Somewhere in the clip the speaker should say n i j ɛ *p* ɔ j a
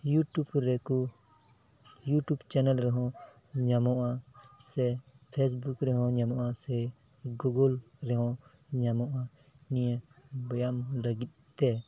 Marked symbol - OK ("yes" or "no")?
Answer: no